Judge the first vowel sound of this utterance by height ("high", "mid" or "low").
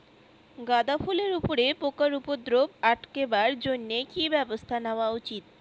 low